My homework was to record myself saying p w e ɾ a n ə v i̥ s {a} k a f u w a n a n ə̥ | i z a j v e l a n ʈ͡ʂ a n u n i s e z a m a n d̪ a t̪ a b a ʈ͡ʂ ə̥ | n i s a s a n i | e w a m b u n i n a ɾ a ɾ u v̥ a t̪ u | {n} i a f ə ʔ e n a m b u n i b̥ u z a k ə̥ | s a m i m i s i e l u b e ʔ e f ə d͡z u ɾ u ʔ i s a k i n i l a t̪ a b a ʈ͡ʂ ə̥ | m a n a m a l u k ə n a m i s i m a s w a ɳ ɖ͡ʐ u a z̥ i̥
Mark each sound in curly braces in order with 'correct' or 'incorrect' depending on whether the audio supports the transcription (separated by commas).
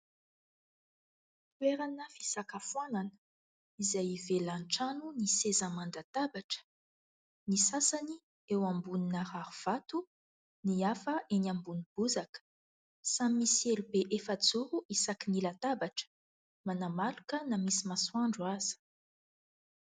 correct, correct